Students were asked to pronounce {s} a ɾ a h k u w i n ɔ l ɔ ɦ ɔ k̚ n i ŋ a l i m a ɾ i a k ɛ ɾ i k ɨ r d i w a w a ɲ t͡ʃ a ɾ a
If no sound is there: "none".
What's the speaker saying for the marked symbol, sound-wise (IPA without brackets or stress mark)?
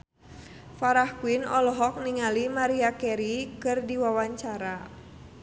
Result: f